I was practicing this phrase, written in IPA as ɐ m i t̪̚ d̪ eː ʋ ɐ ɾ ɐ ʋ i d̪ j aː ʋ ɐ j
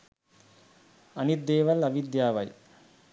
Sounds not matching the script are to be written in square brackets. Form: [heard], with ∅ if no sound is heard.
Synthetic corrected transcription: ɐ [n] i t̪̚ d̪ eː ʋ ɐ [l] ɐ ʋ i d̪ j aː ʋ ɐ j